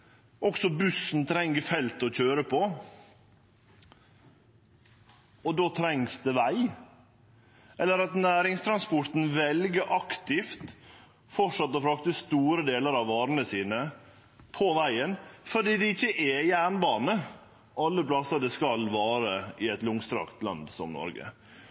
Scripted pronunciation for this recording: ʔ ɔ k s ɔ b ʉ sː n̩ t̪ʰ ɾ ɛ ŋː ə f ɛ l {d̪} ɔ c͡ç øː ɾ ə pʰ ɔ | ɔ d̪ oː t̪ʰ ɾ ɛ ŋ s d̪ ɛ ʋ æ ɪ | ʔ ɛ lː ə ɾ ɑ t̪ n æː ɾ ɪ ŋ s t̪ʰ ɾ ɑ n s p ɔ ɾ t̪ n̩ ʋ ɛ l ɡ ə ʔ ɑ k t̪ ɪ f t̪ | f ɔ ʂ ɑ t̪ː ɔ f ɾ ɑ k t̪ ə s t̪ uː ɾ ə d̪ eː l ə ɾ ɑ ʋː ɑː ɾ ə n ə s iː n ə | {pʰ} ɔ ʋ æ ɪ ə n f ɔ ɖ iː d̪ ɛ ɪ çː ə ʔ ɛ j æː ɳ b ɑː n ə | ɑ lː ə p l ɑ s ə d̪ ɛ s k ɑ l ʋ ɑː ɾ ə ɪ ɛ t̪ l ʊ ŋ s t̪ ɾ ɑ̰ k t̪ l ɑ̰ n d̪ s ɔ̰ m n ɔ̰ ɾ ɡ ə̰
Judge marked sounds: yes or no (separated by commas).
no, yes